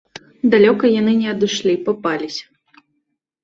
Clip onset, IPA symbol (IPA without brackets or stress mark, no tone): d̪